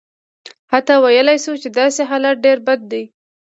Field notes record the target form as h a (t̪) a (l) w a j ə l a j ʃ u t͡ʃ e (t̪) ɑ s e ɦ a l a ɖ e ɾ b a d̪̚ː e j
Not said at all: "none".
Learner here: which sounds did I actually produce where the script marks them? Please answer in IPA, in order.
t̪, none, d̪

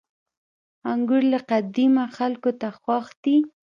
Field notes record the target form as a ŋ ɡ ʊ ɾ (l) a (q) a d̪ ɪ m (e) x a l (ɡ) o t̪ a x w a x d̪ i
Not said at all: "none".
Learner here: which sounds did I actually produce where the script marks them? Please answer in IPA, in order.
l, q, a, k

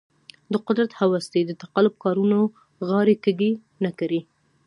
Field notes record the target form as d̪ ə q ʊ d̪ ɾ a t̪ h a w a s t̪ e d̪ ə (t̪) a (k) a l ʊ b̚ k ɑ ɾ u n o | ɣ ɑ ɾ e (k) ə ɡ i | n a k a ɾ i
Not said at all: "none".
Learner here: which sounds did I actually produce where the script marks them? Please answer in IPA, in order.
t̪, q, k

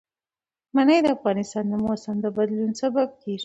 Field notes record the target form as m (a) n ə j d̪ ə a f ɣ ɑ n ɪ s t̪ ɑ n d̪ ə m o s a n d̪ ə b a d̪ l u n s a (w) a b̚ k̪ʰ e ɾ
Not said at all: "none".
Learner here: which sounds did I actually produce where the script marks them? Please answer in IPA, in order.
a, b

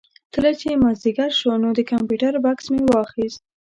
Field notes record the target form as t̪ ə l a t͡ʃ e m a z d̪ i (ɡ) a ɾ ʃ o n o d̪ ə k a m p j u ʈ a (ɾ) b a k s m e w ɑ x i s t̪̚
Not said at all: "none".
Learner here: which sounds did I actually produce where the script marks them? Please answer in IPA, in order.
ɡ, ɾ

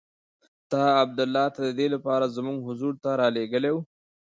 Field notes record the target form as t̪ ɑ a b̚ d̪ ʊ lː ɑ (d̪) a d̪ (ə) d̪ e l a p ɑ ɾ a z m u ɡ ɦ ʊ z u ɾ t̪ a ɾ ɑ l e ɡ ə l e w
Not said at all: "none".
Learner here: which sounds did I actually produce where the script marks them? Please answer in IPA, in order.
t̪, ə

